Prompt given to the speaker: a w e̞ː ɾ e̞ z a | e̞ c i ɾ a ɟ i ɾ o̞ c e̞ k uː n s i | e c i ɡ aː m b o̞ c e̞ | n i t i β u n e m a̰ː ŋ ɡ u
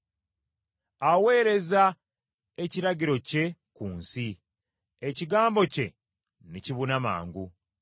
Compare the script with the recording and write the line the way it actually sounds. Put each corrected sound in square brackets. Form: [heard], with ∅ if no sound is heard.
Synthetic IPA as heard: a w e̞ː ɾ e̞ z a | e̞ c i ɾ a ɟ i ɾ o̞ c e̞ k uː n s i | e c i ɡ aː m b o̞ c e̞ | n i [c] i β u n [a] m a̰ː ŋ ɡ u